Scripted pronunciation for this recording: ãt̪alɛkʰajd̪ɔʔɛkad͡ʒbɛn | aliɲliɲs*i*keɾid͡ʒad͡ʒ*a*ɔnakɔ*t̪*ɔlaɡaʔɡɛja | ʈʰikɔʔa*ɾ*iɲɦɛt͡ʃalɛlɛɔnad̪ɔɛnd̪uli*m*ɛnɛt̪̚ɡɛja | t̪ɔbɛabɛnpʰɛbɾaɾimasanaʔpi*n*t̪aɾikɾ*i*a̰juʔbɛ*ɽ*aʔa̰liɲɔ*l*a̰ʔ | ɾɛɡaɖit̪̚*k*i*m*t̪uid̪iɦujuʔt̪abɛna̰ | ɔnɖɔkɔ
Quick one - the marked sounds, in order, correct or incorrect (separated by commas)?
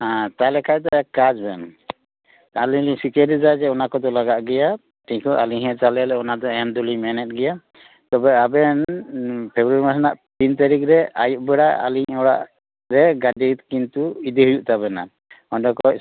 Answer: correct, incorrect, incorrect, incorrect, correct, correct, incorrect, correct, incorrect, correct, incorrect